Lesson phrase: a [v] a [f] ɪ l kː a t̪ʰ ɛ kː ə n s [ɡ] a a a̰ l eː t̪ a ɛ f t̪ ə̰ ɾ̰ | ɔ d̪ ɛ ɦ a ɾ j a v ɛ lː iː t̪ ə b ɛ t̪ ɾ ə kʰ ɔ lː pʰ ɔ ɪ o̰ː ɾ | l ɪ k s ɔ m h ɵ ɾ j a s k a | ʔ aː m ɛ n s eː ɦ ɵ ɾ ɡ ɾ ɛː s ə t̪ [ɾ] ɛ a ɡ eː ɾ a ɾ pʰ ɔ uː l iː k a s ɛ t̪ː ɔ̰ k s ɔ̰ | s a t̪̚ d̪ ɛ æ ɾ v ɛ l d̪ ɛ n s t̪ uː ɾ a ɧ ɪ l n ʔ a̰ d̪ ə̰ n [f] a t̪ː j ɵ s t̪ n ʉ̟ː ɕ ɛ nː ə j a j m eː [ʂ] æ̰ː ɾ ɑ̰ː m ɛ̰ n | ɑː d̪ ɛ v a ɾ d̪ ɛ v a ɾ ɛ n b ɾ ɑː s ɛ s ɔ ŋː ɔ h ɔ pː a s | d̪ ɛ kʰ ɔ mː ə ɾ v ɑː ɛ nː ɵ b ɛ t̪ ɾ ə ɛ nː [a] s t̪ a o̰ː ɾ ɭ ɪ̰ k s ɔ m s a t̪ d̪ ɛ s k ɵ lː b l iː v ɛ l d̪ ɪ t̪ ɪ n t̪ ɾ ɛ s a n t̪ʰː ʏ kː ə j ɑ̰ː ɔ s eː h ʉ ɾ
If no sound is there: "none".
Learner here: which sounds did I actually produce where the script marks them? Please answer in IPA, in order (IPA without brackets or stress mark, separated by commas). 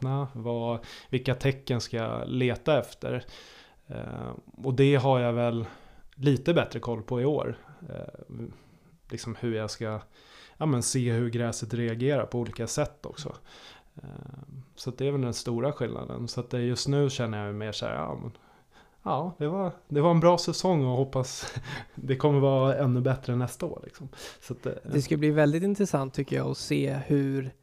v, v, k, ɾ, s, ʂ, ɛ